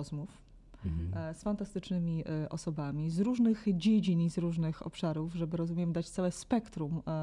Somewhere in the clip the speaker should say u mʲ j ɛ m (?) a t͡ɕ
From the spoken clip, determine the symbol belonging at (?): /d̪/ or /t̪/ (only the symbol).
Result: d̪